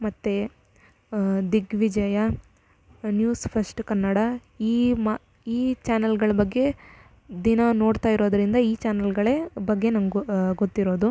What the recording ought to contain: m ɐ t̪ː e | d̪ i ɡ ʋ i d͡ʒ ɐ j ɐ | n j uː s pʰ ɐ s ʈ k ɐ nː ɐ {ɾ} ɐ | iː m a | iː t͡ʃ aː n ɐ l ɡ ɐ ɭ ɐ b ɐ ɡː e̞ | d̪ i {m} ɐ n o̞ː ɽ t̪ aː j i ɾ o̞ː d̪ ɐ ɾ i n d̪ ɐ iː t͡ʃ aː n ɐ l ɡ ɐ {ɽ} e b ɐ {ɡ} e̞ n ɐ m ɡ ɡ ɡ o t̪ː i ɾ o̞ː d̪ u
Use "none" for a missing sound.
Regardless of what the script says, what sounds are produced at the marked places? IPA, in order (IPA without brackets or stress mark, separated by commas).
ɽ, n, ɭ, ɡː